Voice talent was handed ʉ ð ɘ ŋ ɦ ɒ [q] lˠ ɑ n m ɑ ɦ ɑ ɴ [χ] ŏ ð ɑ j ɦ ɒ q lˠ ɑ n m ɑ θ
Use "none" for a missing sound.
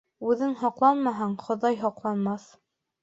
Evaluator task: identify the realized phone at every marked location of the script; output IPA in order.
q, χ

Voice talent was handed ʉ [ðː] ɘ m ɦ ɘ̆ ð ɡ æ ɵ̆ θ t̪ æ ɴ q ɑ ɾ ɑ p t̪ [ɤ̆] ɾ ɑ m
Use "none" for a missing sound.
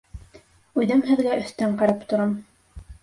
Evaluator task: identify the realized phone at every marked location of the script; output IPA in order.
ð, ŏ

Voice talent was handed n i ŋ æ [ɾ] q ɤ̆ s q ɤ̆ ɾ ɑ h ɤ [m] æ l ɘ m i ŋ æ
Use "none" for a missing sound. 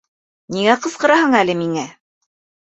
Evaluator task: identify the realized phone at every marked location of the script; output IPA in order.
none, ɴ

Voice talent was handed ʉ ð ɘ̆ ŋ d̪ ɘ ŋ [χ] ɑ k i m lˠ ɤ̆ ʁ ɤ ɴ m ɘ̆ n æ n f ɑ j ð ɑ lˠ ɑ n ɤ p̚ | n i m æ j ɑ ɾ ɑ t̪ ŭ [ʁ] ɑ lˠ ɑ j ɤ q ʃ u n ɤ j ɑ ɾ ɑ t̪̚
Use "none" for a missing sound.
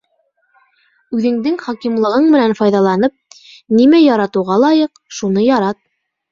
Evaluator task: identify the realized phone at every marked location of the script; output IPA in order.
χ, ʁ

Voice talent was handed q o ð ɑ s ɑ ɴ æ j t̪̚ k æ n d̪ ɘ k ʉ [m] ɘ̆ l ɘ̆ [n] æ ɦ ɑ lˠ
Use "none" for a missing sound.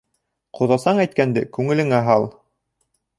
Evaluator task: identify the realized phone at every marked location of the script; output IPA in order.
ŋ, ŋ

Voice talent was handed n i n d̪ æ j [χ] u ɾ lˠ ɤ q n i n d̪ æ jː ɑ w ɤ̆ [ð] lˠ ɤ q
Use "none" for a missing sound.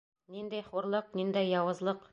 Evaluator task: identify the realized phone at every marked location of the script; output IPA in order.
χ, z

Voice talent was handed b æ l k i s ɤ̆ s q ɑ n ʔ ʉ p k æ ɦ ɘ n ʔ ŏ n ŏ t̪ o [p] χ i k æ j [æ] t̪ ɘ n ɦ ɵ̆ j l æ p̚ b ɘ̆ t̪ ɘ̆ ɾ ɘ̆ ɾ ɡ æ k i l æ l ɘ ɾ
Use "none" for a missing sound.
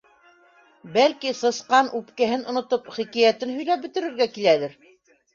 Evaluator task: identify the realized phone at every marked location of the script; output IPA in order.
p, æ

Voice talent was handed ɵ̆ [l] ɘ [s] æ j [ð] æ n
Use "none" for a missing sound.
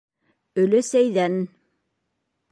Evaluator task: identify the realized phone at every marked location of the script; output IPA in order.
l, s, ð

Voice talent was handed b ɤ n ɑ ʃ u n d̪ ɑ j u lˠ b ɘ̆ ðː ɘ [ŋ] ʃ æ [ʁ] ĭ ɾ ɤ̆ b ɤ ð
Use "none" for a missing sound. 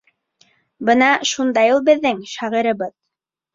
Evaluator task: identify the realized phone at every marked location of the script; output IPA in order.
ŋ, ʁ

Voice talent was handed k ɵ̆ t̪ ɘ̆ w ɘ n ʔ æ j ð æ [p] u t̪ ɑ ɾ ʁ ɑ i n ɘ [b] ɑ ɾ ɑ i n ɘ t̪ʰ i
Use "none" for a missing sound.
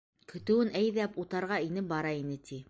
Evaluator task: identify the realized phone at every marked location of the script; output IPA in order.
p, b

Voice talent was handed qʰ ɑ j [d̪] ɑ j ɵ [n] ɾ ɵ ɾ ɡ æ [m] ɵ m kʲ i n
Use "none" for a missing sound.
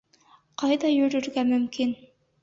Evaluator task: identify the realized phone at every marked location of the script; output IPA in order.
d̪, none, m

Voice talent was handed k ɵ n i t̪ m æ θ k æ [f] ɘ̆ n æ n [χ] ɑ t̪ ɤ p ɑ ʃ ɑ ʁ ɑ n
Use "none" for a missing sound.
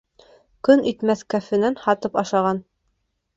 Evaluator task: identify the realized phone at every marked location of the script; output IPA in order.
f, h

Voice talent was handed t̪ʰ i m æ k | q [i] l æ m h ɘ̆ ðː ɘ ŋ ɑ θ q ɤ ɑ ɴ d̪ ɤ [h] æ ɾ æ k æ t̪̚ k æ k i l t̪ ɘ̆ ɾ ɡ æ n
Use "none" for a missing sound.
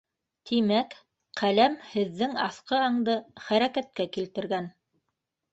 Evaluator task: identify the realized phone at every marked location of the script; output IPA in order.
æ, χ

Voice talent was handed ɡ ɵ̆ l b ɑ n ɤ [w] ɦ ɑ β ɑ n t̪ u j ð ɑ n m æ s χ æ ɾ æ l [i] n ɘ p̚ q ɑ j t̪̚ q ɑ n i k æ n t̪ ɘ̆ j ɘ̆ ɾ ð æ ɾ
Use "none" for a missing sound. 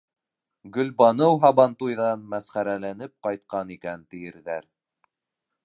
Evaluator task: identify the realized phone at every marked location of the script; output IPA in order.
w, æ

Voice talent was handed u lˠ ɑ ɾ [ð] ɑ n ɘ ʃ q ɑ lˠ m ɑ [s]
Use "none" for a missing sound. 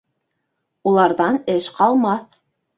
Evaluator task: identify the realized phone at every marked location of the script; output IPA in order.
ð, θ

